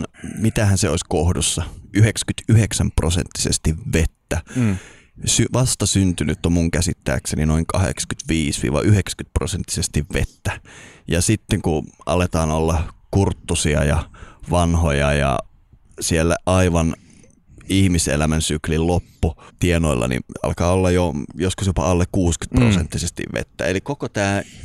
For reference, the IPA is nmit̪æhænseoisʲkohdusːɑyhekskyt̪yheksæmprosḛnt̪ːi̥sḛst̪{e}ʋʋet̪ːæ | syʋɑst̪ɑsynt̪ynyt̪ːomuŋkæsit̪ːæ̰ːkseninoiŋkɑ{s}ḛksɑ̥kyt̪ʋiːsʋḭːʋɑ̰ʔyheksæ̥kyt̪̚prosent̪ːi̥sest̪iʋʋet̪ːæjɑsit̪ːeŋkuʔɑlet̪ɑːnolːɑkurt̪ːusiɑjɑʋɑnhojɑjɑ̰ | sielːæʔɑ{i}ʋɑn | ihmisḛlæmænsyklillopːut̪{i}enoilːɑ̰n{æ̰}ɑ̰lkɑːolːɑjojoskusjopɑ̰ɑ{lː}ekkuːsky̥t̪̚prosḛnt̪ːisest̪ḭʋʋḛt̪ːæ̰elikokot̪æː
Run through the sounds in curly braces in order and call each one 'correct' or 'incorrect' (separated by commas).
incorrect, incorrect, correct, correct, incorrect, correct